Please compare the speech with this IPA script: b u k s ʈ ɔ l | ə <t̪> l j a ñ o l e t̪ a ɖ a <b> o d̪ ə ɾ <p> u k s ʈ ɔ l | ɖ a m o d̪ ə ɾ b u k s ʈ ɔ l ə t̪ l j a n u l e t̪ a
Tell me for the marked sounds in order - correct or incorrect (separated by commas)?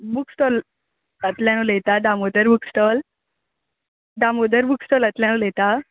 correct, incorrect, incorrect